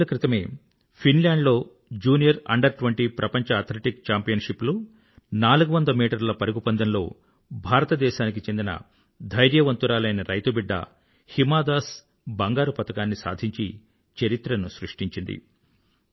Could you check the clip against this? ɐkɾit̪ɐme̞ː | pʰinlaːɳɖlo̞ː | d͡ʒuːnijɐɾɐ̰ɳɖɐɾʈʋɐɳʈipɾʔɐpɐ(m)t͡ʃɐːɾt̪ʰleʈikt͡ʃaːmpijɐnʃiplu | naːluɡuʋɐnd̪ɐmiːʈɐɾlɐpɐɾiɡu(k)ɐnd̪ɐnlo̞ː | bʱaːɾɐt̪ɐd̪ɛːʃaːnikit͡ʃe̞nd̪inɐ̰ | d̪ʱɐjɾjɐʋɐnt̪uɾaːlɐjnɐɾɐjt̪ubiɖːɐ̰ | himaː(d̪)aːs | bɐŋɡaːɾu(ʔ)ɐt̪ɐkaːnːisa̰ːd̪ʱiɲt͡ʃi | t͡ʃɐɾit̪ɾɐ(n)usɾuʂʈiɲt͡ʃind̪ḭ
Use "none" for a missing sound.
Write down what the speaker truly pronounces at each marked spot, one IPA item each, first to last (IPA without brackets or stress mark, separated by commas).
ɲ, p, d̪, p, n